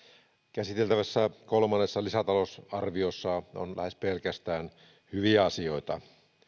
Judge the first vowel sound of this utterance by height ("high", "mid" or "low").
low